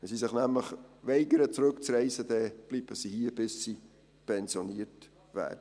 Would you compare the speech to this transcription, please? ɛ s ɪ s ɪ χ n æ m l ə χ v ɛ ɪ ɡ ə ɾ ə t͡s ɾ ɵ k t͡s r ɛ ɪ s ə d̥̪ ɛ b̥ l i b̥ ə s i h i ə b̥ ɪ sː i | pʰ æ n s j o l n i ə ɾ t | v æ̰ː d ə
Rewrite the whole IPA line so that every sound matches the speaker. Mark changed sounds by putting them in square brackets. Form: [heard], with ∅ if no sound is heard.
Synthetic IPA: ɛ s [i] s ɪ χ n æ m l ə χ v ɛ ɪ ɡ ə ɾ ə t͡s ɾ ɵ k t͡s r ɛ ɪ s ə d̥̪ ɛ b̥ l i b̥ ə s i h i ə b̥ ɪ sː i | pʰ [ɛ] n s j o [∅] n i ə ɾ t | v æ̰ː d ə